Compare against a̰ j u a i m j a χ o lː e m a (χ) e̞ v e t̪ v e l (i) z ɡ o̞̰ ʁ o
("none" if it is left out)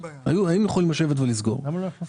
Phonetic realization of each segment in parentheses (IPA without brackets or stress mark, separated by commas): ʃ, i